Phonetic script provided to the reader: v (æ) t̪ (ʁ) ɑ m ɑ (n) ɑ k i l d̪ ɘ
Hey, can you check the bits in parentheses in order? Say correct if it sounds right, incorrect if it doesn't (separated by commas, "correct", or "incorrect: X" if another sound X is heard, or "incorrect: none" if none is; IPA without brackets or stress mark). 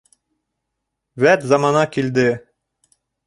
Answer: correct, incorrect: z, correct